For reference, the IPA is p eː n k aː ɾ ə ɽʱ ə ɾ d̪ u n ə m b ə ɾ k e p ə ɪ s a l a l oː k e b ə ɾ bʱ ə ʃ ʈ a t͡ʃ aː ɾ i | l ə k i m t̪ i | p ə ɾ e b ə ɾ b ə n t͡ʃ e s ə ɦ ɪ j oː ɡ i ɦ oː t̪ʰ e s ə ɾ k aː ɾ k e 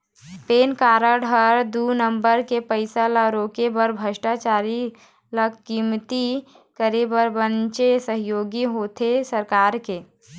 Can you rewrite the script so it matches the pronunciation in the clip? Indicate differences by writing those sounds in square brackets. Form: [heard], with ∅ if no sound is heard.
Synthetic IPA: p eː n k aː ɾ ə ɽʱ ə ɾ d̪ u n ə m b ə ɾ k e p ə ɪ s a l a [ɾ] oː k e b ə ɾ bʱ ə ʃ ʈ a t͡ʃ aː ɾ i | l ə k i m t̪ i | [k] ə ɾ e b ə ɾ b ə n t͡ʃ e s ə ɦ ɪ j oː ɡ i ɦ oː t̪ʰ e s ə ɾ k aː ɾ k e